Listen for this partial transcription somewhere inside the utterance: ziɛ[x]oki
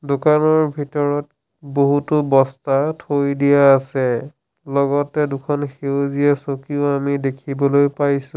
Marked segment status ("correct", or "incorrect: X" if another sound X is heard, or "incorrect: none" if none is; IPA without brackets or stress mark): incorrect: s